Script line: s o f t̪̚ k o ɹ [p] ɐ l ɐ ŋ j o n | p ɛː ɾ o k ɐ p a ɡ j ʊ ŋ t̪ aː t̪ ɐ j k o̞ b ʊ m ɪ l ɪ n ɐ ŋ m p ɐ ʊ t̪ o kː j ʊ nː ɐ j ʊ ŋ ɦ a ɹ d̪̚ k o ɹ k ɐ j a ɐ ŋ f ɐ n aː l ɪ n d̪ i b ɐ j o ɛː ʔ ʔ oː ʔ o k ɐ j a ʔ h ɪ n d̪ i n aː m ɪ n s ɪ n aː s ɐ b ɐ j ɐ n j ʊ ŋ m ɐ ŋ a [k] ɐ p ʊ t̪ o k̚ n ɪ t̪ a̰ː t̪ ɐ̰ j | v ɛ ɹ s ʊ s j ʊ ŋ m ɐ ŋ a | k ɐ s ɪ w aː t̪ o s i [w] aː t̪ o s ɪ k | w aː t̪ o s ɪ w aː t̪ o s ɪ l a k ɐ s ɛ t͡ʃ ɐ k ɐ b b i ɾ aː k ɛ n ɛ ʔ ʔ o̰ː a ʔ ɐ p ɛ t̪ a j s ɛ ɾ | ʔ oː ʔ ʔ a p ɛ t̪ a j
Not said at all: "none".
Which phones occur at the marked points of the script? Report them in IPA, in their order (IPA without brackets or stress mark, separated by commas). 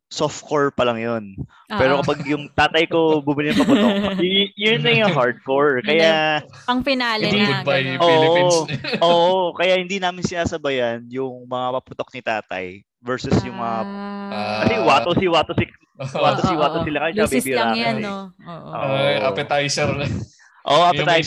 p, p, w